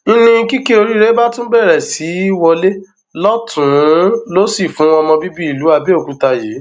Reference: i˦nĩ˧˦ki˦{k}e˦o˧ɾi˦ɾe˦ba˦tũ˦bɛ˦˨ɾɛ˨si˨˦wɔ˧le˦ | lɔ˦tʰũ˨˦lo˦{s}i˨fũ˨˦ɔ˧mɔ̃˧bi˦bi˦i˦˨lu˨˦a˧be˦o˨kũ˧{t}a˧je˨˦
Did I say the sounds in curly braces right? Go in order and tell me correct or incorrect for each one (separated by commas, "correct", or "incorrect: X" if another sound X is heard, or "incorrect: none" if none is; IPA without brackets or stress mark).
correct, correct, correct